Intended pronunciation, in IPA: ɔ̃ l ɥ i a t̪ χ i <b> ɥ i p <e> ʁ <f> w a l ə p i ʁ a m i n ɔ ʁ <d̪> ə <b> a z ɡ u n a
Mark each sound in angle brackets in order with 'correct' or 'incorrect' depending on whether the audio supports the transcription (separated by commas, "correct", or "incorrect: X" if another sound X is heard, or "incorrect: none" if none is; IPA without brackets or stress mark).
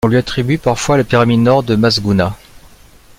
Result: correct, incorrect: a, correct, correct, incorrect: m